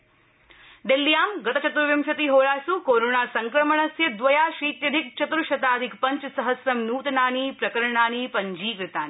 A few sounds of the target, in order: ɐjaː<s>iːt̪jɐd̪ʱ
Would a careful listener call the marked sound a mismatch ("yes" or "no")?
yes